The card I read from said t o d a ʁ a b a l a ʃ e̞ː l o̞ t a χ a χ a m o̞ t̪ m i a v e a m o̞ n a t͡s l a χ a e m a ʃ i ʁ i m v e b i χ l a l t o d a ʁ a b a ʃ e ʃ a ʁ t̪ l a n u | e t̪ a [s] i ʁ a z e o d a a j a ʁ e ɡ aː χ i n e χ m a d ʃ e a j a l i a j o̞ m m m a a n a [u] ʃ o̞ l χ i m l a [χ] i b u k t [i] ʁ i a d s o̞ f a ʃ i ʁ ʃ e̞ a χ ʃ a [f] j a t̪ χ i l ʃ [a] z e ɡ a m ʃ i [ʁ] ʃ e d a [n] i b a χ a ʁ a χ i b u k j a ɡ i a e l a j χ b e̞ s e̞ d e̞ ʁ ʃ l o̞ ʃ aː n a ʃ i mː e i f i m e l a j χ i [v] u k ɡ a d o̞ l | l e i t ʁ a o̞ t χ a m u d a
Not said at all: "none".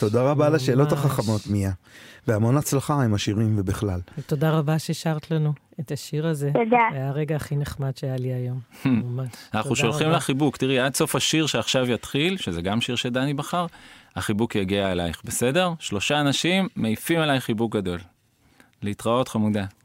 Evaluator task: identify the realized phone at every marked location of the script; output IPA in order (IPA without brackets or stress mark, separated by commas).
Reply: ʃ, u, χ, i, v, e, ʁ, n, b